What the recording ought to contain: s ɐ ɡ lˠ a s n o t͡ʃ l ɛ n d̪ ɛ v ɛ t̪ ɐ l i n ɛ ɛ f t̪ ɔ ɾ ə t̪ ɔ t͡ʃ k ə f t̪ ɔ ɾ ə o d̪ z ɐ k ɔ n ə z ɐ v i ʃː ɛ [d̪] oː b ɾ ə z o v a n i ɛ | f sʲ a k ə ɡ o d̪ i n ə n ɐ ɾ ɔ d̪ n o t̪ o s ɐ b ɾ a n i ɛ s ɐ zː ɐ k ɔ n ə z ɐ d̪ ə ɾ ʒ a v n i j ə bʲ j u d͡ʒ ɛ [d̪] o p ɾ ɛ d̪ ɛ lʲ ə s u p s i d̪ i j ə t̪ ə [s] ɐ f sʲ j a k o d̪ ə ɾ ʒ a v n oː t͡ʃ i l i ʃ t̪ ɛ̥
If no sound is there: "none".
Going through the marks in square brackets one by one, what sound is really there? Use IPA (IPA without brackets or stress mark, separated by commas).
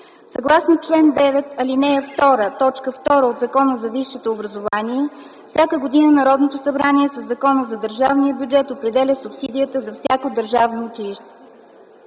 t̪, t̪, z